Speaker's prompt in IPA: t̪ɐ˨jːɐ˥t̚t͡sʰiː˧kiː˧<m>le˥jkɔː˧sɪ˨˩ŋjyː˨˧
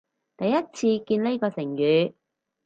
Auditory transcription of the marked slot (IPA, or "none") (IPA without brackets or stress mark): n